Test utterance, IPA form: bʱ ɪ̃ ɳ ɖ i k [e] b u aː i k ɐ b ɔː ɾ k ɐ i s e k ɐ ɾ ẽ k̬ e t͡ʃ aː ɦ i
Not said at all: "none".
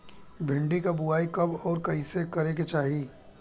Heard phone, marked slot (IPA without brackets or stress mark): a